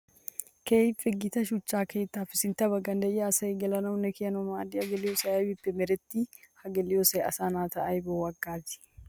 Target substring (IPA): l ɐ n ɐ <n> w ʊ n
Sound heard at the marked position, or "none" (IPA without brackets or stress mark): none